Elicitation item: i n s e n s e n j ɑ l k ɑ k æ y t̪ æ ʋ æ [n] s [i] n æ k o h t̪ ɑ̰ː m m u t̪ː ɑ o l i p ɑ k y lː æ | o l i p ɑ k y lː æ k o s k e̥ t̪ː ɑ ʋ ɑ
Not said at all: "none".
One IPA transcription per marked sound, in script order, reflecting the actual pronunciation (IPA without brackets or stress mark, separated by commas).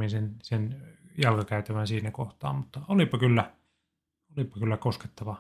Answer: n, iː